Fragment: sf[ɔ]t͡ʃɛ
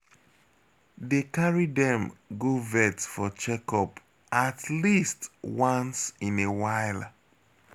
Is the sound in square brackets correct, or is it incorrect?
correct